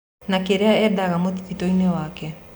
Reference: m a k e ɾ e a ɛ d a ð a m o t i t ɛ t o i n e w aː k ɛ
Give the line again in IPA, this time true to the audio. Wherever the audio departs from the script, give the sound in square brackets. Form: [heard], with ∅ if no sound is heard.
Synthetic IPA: [n] a k e ɾ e a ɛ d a [ɣ] a m o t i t [i] t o i n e w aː k ɛ